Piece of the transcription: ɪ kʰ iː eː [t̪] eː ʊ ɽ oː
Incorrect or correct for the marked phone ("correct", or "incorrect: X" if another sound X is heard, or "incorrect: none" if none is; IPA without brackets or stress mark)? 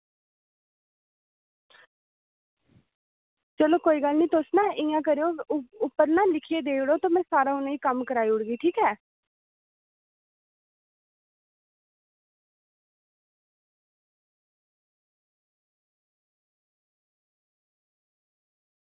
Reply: incorrect: d̪